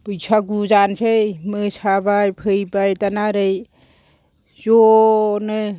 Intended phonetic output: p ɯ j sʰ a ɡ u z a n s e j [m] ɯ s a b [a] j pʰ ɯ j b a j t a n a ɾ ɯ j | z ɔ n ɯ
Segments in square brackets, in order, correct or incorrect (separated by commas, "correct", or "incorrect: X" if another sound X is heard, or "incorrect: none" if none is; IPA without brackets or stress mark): correct, correct